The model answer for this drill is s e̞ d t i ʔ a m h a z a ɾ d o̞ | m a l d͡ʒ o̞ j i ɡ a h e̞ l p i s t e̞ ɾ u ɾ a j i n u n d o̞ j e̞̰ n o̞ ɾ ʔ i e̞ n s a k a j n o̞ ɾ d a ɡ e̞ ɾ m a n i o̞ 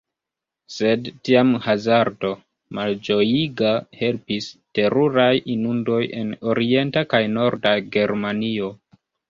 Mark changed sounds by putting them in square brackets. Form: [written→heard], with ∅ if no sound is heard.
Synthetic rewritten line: s e̞ d t i [ʔ→∅] a m h a z a ɾ d o̞ | m a l d͡ʒ o̞ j i ɡ a h e̞ l p i s t e̞ ɾ u ɾ a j i n u n d o̞ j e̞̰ n o̞ ɾ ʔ i e̞ n [s→t] a k a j n o̞ ɾ d a ɡ e̞ ɾ m a n i o̞